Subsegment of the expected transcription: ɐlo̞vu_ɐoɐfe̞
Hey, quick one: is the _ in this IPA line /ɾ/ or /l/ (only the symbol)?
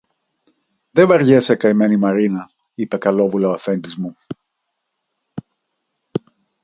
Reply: l